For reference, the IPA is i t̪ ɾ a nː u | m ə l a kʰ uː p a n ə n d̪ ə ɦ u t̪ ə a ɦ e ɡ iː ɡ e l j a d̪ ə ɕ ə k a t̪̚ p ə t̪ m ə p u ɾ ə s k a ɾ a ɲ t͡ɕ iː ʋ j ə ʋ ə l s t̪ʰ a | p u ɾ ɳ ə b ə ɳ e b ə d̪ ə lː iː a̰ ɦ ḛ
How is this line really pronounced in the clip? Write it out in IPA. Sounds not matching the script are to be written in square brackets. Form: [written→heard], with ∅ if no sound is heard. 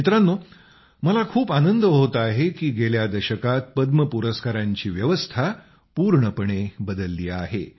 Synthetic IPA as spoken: i t̪ ɾ a nː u | m ə l a kʰ uː p a n ə n d̪ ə ɦ [u→o] t̪ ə a ɦ e [ɡ→k] iː ɡ e l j a d̪ ə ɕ ə k a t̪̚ p ə [t̪→d̪] m ə p u ɾ ə s k a ɾ a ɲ t͡ɕ iː ʋ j ə ʋ ə [l→∅] s t̪ʰ a | p u ɾ ɳ ə [b→p] ə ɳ e b ə d̪ ə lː iː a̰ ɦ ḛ